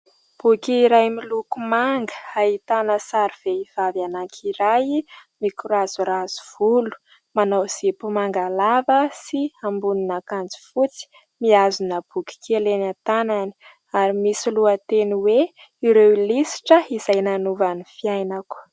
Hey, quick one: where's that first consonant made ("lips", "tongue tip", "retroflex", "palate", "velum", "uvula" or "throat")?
lips